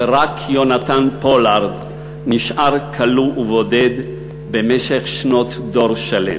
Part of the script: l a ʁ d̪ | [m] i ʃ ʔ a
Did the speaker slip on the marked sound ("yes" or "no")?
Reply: yes